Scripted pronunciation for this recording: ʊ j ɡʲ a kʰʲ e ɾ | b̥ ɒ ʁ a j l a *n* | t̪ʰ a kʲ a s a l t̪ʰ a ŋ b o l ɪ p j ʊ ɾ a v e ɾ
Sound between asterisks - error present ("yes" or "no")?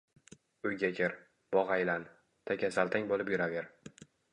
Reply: no